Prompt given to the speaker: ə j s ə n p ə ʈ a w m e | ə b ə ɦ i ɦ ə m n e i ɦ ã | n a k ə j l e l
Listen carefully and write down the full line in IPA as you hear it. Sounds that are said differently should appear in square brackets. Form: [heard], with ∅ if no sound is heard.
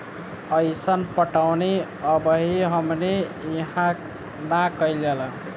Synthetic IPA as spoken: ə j s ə n p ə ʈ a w [n] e | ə b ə ɦ i ɦ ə m n e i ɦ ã | n a k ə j l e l